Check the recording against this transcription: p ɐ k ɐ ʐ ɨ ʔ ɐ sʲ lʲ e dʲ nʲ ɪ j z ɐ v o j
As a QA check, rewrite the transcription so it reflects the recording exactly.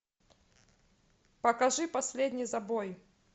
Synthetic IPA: p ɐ k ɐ ʐ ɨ p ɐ sʲ lʲ e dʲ nʲ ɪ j z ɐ b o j